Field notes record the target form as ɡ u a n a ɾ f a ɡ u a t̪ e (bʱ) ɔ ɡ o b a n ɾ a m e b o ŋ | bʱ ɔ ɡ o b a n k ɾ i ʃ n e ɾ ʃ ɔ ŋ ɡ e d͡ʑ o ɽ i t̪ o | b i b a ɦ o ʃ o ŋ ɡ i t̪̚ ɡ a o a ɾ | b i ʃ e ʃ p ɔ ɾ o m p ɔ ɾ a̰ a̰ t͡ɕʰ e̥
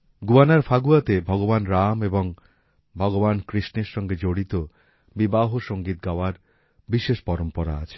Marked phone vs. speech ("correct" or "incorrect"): correct